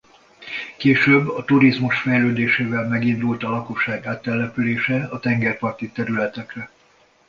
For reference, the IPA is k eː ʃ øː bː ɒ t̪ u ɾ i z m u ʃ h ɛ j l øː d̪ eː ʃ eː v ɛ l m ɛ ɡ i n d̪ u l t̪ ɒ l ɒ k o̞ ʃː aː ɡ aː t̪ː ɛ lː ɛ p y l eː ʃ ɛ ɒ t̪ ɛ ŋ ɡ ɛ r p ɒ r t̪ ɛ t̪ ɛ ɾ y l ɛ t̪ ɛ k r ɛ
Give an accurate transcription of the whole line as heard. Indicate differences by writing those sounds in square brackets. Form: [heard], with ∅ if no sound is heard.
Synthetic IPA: k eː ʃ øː bː ɒ t̪ u ɾ i z m u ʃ [f] ɛ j l øː d̪ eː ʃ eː v ɛ l m ɛ ɡ i n d̪ u l t̪ ɒ l ɒ k o̞ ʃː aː ɡ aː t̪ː ɛ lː ɛ p y l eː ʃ ɛ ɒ t̪ ɛ ŋ ɡ ɛ r p ɒ r t̪ [i] t̪ ɛ ɾ y l ɛ t̪ ɛ k r ɛ